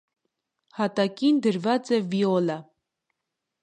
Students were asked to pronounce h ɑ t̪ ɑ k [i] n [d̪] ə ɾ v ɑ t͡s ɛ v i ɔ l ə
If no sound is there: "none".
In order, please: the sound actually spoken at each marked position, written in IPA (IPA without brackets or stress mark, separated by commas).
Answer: i, d̪